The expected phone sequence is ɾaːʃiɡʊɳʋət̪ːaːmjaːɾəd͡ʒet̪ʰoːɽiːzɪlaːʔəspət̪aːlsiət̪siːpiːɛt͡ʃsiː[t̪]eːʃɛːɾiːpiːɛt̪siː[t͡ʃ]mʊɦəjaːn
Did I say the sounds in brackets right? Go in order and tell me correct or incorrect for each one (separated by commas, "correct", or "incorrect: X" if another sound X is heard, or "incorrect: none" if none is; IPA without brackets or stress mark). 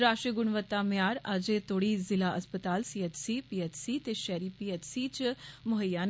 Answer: correct, correct